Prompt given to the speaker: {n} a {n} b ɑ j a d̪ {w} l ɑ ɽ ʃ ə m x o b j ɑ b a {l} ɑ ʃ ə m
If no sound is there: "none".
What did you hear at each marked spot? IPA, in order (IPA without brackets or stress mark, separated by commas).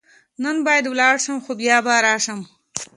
n, n, w, ɾ